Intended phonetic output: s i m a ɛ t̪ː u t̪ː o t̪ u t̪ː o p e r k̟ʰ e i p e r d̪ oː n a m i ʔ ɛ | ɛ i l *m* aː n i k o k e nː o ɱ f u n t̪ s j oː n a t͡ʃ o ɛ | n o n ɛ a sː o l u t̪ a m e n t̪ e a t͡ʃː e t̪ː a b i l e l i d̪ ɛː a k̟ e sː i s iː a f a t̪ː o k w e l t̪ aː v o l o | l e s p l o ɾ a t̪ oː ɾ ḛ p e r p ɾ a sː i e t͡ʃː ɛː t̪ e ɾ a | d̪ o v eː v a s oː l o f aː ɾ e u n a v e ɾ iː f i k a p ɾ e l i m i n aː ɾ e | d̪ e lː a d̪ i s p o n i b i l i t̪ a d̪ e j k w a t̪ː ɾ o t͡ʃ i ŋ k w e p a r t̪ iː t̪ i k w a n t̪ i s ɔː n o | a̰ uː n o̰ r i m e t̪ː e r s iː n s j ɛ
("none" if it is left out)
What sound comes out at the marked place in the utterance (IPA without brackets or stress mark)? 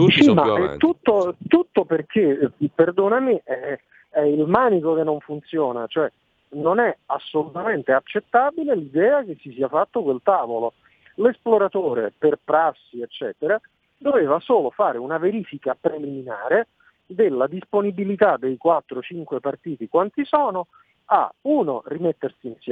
m